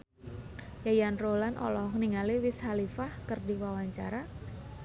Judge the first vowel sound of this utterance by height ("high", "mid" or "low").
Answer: low